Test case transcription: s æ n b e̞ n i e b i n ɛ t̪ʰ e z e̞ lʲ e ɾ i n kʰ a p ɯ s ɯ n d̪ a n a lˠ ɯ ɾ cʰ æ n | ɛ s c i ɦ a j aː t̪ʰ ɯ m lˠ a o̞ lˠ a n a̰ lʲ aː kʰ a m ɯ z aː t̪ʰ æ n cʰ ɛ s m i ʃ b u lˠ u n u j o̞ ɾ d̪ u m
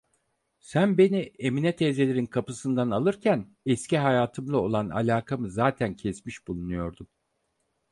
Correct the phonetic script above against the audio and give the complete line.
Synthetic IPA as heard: s æ n b e̞ n i e m i n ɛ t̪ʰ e z e̞ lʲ e ɾ i n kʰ a p ɯ s ɯ n d̪ a n a lˠ ɯ ɾ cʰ æ n | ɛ s c i ɦ a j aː t̪ʰ ɯ m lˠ a o̞ lˠ a n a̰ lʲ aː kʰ a m ɯ z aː t̪ʰ æ n cʰ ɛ s m i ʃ b u lˠ u n u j o̞ ɾ d̪ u m